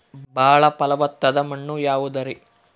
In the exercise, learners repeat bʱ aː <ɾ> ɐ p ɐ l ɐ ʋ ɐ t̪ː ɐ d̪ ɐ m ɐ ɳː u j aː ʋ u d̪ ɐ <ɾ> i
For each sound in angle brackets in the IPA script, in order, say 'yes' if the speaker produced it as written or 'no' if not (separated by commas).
no, yes